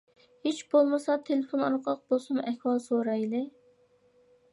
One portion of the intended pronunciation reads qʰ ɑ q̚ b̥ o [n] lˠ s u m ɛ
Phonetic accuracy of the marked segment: incorrect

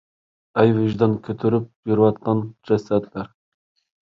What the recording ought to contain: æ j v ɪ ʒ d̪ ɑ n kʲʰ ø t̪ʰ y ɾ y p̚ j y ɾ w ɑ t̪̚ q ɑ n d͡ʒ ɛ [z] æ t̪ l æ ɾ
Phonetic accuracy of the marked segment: incorrect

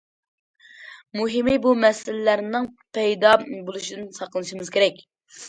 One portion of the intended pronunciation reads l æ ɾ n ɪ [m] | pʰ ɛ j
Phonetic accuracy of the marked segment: incorrect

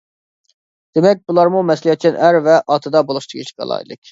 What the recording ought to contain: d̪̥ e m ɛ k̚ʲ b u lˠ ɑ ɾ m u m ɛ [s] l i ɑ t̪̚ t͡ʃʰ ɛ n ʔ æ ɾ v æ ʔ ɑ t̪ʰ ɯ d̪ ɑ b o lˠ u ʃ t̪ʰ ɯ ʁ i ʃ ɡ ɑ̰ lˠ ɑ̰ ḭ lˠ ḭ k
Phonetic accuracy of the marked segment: correct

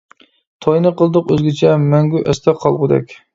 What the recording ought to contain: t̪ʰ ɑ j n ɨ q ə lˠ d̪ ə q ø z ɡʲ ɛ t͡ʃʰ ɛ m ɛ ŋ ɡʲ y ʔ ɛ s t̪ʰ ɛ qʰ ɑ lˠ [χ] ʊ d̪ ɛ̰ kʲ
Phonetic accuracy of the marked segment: incorrect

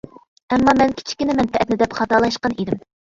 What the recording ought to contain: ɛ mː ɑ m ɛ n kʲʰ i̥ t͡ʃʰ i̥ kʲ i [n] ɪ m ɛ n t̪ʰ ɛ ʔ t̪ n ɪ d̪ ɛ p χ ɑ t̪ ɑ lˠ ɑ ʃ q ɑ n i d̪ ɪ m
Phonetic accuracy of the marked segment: correct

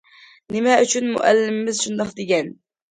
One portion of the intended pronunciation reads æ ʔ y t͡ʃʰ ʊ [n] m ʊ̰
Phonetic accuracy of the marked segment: correct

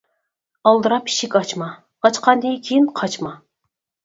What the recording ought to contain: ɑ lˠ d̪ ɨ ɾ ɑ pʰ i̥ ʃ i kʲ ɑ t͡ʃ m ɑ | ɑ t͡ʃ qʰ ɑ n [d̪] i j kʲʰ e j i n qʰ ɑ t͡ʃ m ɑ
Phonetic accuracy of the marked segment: correct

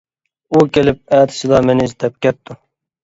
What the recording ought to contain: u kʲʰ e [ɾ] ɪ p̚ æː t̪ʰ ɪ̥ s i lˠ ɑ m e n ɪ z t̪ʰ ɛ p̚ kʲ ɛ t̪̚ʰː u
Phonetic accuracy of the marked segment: incorrect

